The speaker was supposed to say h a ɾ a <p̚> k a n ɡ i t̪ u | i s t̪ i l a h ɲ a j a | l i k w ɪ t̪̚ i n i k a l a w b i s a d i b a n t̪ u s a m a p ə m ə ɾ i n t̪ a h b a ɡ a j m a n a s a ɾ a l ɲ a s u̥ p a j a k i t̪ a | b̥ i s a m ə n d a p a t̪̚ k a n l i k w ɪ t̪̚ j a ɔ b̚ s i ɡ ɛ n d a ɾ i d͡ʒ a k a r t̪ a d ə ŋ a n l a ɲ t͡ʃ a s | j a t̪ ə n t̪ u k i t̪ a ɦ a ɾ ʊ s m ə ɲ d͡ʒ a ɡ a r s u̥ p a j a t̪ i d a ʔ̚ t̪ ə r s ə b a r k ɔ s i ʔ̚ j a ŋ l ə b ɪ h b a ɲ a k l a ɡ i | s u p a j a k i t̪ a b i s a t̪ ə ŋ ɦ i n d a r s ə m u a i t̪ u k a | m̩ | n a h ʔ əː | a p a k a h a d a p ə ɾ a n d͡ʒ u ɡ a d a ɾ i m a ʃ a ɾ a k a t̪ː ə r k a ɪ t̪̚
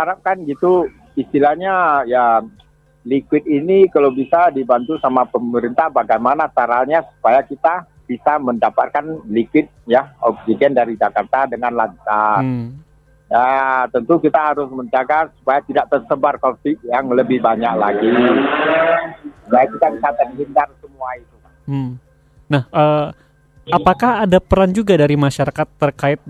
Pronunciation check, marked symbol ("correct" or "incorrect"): correct